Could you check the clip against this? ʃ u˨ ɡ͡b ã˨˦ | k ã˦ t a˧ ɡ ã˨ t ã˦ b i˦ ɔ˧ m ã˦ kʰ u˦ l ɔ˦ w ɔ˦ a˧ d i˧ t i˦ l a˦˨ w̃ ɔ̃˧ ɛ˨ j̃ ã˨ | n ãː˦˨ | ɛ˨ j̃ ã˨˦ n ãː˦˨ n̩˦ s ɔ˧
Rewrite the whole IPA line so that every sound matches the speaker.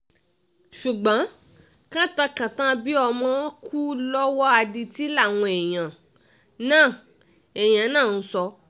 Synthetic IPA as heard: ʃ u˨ ɡ͡b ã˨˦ | k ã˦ t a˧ k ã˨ t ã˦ b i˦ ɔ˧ m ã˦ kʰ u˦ l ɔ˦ w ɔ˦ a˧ d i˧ t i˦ l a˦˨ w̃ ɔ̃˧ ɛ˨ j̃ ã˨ | n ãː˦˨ | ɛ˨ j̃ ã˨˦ n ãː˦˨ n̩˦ s ɔ˧